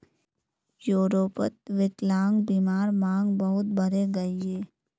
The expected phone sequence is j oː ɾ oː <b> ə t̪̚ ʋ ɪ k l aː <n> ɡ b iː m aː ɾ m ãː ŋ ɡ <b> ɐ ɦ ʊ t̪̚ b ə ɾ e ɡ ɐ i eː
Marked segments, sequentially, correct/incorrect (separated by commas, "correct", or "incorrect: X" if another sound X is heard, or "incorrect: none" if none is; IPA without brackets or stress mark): incorrect: p, incorrect: ŋ, correct